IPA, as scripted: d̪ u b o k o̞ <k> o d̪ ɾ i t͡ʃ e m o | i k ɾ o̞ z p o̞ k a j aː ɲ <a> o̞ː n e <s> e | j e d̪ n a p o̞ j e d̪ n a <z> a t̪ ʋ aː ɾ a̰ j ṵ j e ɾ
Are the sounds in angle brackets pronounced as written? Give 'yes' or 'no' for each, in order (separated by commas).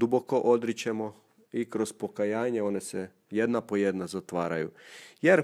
no, no, yes, yes